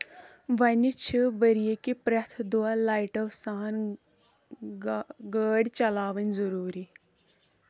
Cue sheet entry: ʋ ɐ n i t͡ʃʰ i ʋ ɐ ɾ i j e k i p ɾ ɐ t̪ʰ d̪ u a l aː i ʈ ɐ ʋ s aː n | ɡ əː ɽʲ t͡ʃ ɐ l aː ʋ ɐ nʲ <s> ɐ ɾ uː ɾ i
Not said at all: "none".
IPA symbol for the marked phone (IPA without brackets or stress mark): z